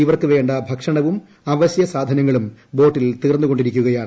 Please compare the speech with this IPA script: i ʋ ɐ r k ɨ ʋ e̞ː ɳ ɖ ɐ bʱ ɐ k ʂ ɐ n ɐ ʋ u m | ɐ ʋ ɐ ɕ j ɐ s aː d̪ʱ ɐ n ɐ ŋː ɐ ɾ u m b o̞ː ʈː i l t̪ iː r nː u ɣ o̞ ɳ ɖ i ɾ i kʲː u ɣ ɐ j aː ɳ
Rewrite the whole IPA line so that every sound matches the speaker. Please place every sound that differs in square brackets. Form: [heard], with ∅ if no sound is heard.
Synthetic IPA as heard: i ʋ ɐ r k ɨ ʋ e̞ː ɳ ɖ ɐ bʱ ɐ k ʂ ɐ [ɳ] ɐ ʋ u m | ɐ ʋ ɐ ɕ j ɐ s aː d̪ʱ ɐ n ɐ ŋː ɐ [ɭ] u m b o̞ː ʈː i l t̪ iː r nː u ɣ o̞ ɳ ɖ i ɾ i kʲː u ɣ ɐ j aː ɳ